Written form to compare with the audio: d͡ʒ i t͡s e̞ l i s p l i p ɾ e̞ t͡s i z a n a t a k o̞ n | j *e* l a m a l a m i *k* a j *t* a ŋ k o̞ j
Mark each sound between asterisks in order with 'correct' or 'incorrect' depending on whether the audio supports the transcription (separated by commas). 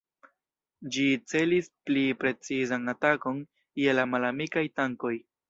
correct, correct, correct